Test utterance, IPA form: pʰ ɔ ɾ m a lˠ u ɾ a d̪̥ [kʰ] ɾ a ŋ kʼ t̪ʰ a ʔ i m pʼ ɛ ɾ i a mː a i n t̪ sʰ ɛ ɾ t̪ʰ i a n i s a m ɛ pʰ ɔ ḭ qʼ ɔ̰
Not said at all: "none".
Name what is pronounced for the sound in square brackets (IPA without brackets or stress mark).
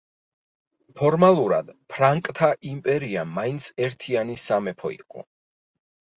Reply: pʰ